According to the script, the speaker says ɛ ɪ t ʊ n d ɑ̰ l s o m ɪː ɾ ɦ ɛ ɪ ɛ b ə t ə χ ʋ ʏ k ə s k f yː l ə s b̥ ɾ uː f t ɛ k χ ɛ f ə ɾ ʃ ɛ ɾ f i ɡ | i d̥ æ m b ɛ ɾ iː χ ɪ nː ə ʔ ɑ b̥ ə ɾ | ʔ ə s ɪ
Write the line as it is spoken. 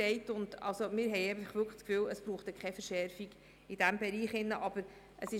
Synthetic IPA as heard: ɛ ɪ t ʊ n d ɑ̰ l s o m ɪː ɾ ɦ ɛ ɪ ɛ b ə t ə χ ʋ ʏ k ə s k f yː l ə s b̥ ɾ uː χ t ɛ k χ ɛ f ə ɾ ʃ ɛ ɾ f i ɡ | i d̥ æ m b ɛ ɾ iː χ ɪ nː ə ʔ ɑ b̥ ə ɾ | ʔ ə s ɪ